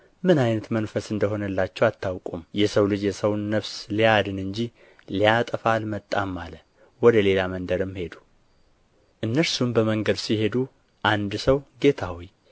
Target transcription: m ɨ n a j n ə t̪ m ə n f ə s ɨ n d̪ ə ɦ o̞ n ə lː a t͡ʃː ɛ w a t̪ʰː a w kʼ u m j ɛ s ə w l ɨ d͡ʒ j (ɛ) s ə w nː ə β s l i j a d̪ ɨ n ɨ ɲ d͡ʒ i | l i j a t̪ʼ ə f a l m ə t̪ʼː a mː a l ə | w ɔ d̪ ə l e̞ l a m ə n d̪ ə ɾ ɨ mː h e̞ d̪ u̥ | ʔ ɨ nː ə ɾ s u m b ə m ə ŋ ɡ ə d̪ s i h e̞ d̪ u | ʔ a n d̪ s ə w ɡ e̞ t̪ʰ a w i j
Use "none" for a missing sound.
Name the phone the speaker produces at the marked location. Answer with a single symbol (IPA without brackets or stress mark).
ɛ